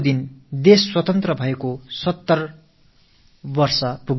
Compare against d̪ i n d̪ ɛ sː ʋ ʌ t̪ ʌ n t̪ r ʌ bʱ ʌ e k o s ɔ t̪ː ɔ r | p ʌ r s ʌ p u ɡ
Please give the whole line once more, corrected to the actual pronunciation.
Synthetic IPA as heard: d̪ i n d̪ e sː w ʌ t̪ ʌ n t̪ r ʌ bʱ ʌ e k o s ʌ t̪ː ʌ r | b ʌ r s ʌ p u ɡ